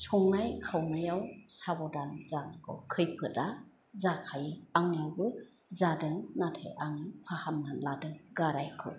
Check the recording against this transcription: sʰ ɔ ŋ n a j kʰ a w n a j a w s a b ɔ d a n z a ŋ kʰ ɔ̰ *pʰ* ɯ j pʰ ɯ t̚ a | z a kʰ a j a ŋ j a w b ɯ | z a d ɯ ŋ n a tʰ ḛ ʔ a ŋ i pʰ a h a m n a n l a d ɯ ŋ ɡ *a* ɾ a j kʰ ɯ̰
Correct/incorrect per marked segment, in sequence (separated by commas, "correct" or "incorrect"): incorrect, correct